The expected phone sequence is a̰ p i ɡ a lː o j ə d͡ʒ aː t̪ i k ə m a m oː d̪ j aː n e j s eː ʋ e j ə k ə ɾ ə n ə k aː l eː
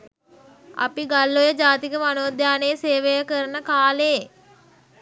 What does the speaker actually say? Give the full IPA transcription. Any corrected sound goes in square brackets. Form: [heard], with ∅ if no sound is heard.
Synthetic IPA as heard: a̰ p i ɡ a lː o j ə d͡ʒ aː t̪ i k ə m a [n] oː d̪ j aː n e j s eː ʋ e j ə k ə ɾ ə n ə k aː l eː

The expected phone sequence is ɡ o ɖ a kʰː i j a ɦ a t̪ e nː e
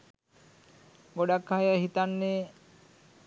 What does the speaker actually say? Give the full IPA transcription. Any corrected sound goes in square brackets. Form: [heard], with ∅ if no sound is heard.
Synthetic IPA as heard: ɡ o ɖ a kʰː [a] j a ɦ [i] t̪ [a] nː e

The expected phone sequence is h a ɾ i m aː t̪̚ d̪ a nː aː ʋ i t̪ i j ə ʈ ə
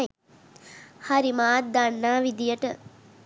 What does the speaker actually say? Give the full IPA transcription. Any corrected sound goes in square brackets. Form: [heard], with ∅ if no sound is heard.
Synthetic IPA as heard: h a ɾ i m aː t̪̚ d̪ a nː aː ʋ i [d̪] i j ə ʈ ə

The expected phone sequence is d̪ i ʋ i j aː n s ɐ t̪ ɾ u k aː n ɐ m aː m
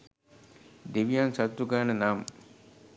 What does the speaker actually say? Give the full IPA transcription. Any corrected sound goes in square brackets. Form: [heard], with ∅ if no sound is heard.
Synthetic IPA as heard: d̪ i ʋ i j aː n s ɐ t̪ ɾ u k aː n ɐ [n] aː m

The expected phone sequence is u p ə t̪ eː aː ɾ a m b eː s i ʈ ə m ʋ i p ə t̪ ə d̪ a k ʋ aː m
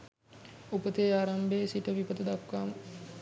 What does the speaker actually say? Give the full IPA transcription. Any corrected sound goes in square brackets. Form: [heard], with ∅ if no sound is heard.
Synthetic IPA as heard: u p ə t̪ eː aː ɾ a m b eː s i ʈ ə [∅] ʋ i p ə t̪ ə d̪ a k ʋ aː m

